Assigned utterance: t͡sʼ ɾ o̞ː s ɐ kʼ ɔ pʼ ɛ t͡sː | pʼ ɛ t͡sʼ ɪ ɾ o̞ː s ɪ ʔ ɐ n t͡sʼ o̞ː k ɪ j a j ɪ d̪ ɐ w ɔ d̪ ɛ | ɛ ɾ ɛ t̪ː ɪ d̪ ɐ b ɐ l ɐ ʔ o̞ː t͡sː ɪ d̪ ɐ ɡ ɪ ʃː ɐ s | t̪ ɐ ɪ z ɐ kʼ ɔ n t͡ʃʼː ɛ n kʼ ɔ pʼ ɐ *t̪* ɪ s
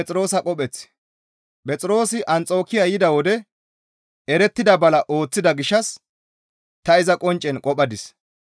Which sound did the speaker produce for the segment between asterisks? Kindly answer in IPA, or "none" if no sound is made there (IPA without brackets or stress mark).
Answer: d̪